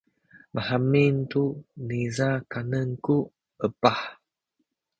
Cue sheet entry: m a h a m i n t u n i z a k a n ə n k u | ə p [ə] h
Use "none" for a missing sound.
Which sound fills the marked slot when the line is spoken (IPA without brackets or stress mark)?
a